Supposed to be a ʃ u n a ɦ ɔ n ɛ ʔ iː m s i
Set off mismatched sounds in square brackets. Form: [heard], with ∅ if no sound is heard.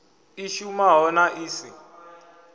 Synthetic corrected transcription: [i] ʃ u [m] a ɦ ɔ n [a] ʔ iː [∅] s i